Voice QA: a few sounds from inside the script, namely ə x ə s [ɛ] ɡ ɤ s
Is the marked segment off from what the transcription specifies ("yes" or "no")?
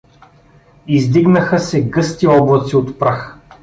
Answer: no